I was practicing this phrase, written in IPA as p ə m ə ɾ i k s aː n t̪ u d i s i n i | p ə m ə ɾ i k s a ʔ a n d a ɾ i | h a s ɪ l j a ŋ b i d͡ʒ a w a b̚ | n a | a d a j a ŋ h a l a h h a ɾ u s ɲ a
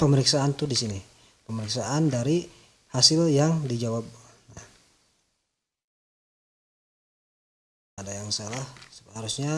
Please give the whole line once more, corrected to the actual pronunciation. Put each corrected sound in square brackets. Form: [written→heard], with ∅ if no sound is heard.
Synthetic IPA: p ə m ə ɾ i k s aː n t̪ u d i s i n i | p ə m ə ɾ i k s a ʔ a n d a ɾ i | h a s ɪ l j a ŋ [b→d] i d͡ʒ a w a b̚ | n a | a d a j a ŋ [h→s] a l a h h a ɾ u s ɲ a